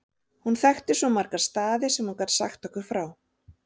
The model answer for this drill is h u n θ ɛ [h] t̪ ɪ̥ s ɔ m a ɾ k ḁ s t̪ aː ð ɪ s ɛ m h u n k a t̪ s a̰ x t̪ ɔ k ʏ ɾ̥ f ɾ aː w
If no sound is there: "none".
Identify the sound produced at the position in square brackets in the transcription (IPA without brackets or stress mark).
x